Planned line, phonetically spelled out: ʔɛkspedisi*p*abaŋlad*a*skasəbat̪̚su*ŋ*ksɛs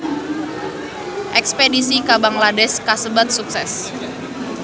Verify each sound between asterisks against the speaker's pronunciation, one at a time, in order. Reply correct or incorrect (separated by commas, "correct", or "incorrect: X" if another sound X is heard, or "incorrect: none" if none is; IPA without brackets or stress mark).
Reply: incorrect: k, incorrect: ɛ, incorrect: none